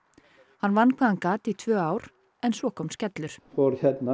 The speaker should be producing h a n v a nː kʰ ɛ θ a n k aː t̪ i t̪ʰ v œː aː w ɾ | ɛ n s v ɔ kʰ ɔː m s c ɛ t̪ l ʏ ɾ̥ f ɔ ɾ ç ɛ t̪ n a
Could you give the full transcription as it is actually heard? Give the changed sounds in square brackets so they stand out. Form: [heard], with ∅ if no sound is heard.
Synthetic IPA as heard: h a n v a nː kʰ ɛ [ð] a n k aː t̪ i t̪ʰ v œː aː w ɾ | ɛ n s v ɔ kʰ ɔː m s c ɛ t̪ l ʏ ɾ̥ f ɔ ɾ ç ɛ t̪ n a